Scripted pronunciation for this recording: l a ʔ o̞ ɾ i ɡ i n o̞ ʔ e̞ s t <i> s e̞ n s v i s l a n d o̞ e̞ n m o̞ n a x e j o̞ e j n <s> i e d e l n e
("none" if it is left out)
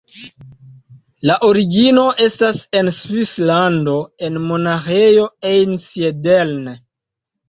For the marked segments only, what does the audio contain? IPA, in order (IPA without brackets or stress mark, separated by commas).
a, s